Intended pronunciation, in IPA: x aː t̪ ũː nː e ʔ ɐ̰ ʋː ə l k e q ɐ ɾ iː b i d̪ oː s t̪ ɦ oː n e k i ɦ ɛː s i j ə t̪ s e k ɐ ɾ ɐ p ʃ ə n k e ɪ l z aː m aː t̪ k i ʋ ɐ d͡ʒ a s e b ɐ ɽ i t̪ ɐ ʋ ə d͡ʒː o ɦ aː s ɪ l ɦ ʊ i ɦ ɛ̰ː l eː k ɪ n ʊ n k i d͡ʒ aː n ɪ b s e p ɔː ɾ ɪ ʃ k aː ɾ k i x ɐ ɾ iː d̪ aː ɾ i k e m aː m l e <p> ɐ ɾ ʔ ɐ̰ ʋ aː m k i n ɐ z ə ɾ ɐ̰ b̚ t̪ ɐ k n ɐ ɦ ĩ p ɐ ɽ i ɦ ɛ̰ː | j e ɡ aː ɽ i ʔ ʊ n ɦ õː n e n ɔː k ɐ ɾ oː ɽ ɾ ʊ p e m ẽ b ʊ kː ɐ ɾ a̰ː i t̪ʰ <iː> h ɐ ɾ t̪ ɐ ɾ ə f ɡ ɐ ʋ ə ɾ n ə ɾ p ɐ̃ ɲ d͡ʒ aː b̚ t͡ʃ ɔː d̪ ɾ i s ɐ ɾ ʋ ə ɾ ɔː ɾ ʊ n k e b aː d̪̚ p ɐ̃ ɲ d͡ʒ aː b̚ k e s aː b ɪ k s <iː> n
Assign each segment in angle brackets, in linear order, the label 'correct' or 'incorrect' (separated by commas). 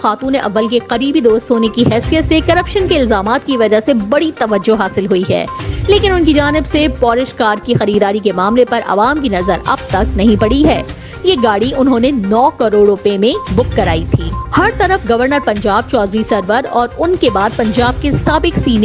correct, correct, correct